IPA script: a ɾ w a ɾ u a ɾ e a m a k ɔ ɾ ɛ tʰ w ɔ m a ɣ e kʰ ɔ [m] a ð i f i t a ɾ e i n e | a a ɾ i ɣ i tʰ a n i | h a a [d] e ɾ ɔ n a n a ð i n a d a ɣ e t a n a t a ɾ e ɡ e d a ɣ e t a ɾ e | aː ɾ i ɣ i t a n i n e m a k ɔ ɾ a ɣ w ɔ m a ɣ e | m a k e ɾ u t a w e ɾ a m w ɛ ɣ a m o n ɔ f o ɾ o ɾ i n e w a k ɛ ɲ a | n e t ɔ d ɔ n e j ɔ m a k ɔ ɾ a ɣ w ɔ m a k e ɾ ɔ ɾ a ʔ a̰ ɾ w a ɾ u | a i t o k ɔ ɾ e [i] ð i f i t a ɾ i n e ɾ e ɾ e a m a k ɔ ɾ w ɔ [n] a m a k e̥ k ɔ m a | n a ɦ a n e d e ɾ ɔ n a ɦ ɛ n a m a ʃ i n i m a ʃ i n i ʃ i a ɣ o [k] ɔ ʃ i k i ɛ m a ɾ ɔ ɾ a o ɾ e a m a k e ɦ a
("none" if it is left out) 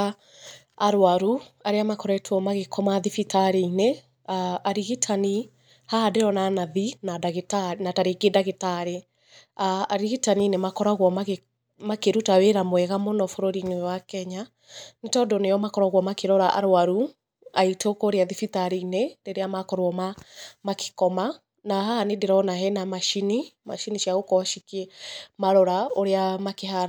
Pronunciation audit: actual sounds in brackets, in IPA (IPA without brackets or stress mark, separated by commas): m, d, a, m, k